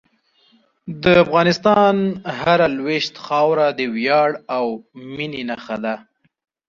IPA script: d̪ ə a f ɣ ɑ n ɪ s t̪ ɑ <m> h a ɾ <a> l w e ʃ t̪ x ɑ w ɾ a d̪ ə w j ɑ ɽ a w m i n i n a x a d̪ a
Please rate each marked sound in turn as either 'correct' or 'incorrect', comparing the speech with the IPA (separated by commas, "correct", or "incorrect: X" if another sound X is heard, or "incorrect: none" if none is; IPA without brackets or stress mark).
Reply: incorrect: n, correct